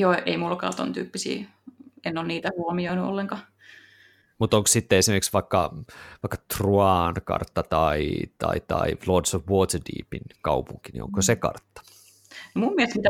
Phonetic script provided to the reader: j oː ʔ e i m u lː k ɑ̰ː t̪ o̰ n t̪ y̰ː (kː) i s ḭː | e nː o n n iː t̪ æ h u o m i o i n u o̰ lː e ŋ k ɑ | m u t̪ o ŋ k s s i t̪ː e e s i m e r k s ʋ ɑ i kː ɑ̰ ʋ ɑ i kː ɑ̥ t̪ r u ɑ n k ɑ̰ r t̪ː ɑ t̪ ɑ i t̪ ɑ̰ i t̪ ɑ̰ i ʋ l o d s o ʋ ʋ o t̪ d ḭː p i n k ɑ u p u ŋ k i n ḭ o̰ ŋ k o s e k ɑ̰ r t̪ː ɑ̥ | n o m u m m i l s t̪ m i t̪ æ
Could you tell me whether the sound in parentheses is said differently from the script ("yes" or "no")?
yes